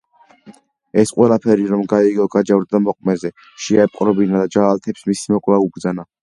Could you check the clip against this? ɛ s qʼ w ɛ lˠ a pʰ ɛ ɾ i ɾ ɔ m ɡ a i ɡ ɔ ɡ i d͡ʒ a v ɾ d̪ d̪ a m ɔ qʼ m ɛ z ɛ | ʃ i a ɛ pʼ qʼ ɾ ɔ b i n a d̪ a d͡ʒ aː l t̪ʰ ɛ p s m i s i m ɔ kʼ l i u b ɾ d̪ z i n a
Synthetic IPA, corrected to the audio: ɛ s qʼ w ɛ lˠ a pʰ ɛ ɾ i ɾ ɔ m ɡ a i ɡ ɔ ɡ a d͡ʒ a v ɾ d̪ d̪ a m ɔ qʼ m ɛ z ɛ | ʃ i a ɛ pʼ qʼ ɾ ɔ b i n a d̪ a d͡ʒ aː l t̪ʰ ɛ p s m i s i m ɔ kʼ l a u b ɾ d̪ z a n a